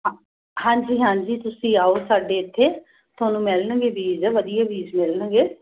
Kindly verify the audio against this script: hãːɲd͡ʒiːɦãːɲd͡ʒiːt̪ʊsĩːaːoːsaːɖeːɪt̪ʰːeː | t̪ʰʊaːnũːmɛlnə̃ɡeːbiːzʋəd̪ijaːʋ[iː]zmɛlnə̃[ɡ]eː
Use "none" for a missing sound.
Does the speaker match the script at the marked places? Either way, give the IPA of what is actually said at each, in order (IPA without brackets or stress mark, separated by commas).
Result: iː, ɡ